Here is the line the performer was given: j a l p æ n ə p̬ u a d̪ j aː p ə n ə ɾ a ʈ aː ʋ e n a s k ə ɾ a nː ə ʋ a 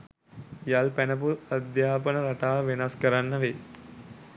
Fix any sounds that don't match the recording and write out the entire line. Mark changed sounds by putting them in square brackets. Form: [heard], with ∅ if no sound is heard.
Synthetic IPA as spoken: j a l p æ n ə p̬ u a d̪ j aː p ə n ə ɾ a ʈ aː ʋ e n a s k ə ɾ a nː ə ʋ [e]